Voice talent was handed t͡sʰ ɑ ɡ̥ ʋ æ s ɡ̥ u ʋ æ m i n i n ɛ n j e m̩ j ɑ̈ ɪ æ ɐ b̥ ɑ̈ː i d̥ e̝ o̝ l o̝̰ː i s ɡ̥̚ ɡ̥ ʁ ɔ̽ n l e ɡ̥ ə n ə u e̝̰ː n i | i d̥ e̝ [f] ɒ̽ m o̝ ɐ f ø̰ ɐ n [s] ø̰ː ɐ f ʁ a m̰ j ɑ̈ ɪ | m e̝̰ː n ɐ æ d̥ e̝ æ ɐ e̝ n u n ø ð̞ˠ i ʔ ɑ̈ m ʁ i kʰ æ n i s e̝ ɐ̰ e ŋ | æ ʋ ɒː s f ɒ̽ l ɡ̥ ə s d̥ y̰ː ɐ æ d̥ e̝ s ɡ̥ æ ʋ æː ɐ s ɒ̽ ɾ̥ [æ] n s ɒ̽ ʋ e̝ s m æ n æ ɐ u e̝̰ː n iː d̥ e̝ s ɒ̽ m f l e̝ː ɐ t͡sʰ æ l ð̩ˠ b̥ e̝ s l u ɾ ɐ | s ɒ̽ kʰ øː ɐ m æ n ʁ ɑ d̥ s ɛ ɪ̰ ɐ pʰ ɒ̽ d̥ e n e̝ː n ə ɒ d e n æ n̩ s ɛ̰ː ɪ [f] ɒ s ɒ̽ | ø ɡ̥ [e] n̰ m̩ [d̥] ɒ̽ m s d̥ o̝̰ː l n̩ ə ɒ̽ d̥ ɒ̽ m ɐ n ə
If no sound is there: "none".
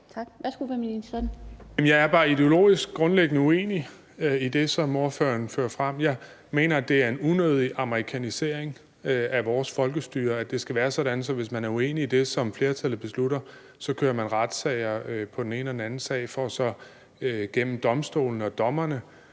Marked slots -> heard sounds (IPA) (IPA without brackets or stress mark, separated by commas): s, f, æ, f, e, d̥